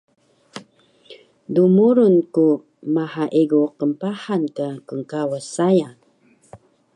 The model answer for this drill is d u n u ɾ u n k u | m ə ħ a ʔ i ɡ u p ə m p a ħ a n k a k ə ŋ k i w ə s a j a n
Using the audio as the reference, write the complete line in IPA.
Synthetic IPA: d u m u ɾ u n k u | m a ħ a ʔ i ɡ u q ə m p a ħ a n k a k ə ŋ k a w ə s a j a n